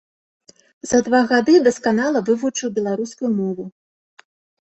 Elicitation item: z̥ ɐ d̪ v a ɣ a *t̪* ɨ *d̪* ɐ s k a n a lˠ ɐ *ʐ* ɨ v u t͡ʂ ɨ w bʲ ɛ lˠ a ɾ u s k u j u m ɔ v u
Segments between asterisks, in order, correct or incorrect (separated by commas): incorrect, correct, incorrect